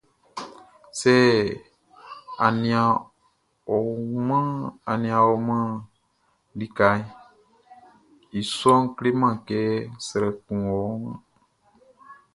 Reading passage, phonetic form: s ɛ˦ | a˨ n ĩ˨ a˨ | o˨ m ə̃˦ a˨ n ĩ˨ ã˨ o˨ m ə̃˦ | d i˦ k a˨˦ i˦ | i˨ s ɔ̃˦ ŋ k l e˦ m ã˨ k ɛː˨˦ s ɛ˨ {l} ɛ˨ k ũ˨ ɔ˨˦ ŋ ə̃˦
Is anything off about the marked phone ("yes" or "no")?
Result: yes